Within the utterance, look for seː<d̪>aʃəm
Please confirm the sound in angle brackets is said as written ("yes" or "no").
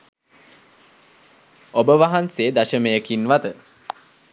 yes